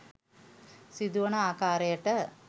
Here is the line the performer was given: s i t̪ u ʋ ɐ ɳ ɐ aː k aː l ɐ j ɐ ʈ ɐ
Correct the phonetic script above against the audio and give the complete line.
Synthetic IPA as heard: s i d̪ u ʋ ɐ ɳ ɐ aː k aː ɾ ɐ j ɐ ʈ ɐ